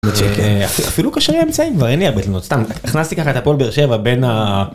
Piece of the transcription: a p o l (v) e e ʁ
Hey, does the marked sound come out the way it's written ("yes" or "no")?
no